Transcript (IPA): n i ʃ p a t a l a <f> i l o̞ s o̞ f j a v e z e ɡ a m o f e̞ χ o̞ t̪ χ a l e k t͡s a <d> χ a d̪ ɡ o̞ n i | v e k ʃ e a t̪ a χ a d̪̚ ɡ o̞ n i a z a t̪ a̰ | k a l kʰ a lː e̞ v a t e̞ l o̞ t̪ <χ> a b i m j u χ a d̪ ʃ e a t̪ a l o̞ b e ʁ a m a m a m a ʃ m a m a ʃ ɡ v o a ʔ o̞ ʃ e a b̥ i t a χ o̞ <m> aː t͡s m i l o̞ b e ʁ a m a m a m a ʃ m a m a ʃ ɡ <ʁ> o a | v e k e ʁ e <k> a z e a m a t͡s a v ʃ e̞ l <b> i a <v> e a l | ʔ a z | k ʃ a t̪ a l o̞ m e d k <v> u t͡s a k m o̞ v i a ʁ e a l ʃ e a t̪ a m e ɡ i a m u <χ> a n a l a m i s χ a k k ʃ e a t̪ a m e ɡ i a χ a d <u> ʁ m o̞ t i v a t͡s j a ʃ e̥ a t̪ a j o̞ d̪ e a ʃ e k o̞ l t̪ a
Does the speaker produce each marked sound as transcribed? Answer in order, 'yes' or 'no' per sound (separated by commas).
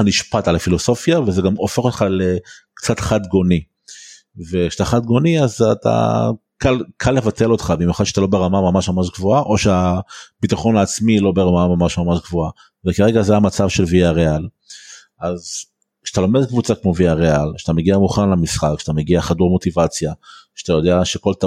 yes, no, yes, no, no, no, no, no, yes, yes, yes